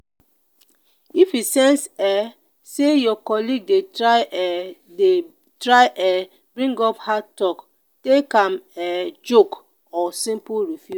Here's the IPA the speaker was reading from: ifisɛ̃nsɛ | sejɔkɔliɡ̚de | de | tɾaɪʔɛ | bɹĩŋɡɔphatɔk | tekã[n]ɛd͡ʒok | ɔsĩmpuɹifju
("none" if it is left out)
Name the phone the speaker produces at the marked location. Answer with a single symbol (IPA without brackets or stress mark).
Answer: m